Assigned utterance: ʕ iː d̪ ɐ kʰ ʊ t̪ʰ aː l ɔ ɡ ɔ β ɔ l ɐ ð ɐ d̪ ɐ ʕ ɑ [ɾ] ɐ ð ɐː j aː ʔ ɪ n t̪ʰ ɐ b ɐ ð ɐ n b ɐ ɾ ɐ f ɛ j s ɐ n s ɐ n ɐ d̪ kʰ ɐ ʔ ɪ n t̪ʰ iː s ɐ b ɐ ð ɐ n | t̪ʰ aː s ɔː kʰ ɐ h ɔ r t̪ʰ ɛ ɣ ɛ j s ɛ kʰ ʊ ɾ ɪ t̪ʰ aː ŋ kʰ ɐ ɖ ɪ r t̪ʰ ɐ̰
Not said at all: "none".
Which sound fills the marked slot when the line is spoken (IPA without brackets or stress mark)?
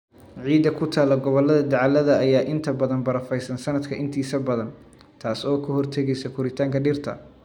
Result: l